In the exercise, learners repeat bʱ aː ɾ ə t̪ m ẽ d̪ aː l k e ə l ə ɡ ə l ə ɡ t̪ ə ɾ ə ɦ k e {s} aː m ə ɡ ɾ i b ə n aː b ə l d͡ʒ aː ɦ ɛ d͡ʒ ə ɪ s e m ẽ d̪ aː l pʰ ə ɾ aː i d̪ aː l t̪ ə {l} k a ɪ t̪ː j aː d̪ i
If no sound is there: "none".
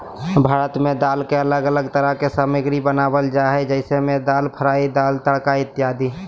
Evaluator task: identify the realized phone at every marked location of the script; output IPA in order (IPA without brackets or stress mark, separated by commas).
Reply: s, ɽ